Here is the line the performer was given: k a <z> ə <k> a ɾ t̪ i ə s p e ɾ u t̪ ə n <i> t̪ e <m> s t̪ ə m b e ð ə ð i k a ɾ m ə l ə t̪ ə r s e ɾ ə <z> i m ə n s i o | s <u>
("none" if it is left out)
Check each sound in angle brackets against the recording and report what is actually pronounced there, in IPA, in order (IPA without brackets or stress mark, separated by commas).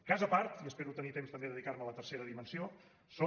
z, p, i, m, ð, o